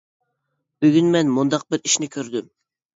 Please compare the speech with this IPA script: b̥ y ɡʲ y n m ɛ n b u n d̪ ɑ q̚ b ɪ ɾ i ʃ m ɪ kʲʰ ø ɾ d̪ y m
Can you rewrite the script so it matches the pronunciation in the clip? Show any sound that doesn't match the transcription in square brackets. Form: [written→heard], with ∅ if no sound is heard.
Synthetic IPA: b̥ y ɡʲ y n m ɛ n [b→m] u n d̪ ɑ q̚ b ɪ ɾ i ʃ [m→n] ɪ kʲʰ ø ɾ d̪ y m

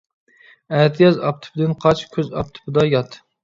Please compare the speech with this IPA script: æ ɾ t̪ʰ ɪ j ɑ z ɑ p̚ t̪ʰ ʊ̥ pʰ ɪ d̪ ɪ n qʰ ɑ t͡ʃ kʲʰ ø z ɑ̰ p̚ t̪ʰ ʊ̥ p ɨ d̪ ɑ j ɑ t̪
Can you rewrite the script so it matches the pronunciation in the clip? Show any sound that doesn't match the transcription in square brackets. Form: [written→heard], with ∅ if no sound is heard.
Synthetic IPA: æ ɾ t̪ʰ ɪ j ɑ z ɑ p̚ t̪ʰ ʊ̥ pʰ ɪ d̪ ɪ n qʰ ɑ t͡ʃ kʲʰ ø z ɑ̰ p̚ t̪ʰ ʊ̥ p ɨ d̪ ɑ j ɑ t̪

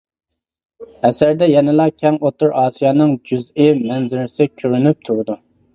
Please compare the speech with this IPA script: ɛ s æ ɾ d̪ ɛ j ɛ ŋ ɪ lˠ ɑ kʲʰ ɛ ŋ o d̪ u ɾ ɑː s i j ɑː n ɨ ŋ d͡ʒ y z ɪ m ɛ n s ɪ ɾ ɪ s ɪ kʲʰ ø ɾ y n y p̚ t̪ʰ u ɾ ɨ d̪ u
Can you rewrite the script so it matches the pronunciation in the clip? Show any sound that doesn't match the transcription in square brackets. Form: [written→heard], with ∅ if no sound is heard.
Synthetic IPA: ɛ s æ ɾ d̪ ɛ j ɛ [ŋ→n] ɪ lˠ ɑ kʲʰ ɛ ŋ o [d̪→t̪] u ɾ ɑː s i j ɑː n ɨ ŋ d͡ʒ y z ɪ m ɛ n [s→z] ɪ ɾ ɪ s ɪ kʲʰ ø ɾ y n y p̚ t̪ʰ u ɾ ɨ d̪ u

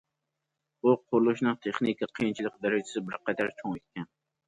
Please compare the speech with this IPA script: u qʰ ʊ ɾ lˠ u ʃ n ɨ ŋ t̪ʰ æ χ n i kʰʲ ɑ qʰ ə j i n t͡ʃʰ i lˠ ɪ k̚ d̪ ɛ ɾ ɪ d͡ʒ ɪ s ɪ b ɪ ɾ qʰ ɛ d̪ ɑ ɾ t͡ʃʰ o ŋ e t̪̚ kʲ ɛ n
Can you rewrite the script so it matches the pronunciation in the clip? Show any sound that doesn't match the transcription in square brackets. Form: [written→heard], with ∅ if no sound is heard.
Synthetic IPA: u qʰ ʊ ɾ lˠ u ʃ n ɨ ŋ t̪ʰ [æ→e] χ n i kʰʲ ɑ qʰ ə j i n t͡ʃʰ i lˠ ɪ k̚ d̪ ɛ ɾ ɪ d͡ʒ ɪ s ɪ b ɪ ɾ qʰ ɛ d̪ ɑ ɾ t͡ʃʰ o ŋ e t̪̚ kʲ ɛ n

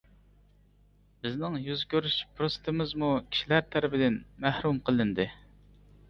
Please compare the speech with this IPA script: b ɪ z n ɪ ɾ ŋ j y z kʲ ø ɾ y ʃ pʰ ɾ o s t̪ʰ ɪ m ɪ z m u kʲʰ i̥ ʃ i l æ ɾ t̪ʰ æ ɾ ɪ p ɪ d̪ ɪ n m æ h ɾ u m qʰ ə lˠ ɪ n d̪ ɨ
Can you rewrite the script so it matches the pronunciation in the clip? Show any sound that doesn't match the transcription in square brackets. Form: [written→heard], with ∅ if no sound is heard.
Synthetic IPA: b ɪ z n ɪ [ɾ→∅] ŋ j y z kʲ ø ɾ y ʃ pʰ ɾ o s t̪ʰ ɪ m ɪ z m u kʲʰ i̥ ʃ i l æ ɾ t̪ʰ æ ɾ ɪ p ɪ d̪ ɪ n m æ h ɾ u m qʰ ə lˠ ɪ n d̪ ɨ

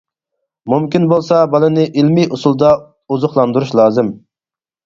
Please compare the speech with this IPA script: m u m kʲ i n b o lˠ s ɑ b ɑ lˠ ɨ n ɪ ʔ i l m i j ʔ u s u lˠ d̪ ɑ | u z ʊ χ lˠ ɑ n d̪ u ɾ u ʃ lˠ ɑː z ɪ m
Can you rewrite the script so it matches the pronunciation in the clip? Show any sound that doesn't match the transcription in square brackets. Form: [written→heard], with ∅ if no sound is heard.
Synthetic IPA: m u m kʲ i n b o lˠ s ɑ b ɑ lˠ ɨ n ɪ ʔ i l m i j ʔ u s u lˠ d̪ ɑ | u z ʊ χ lˠ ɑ n d̪ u ɾ u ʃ lˠ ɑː z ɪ m

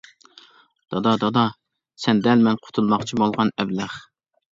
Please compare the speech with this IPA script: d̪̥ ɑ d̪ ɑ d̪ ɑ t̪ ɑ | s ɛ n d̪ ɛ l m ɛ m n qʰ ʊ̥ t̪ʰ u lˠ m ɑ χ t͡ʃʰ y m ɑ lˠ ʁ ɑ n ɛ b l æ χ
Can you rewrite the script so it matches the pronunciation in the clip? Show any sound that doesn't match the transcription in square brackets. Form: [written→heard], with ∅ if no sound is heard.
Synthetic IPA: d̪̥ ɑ d̪ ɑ d̪ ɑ [t̪→d̪] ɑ | s ɛ n d̪ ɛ l m ɛ [m→∅] n qʰ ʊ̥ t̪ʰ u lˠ m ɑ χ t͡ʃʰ [y→i] m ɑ lˠ ʁ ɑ n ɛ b l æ χ

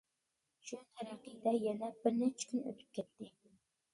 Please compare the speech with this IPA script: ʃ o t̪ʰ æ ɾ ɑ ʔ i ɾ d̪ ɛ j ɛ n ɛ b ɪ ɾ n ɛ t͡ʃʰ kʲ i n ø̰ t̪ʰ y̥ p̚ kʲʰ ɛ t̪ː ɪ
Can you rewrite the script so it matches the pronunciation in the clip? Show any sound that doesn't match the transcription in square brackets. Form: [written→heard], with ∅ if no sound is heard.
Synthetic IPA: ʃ [o→u] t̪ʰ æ ɾ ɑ [ʔ→q] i [ɾ→∅] d̪ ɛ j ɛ n ɛ b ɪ ɾ n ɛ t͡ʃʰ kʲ [i→y] n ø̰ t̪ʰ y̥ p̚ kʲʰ ɛ t̪ː ɪ

